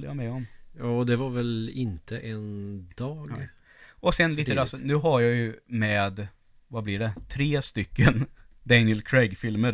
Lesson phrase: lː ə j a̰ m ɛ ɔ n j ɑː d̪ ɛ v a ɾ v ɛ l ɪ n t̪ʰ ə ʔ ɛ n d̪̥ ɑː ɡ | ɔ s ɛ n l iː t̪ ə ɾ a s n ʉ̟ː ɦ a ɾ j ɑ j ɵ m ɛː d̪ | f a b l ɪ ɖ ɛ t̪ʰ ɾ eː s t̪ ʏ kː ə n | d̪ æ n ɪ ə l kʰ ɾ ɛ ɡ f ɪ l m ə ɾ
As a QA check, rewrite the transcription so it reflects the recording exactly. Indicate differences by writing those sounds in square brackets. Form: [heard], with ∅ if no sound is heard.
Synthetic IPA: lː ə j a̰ m ɛ ɔ [m] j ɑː d̪ ɛ v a ɾ v ɛ l ɪ n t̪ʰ ə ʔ ɛ n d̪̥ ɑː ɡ | ɔ s ɛ n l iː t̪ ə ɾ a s n ʉ̟ː ɦ a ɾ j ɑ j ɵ m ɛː d̪ | [v] a b l ɪ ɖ ɛ t̪ʰ ɾ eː s t̪ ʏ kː ə n | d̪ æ n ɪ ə l kʰ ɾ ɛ ɡ f ɪ l m ə ɾ